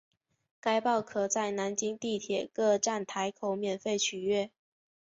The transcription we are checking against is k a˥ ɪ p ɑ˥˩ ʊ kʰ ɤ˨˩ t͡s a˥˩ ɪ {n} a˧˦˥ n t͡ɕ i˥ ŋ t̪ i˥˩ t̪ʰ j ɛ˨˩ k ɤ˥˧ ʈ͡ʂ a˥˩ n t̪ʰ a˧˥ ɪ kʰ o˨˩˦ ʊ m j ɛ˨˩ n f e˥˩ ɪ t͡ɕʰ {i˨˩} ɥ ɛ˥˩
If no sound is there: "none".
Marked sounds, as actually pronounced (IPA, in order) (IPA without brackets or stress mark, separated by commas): n, y˨˩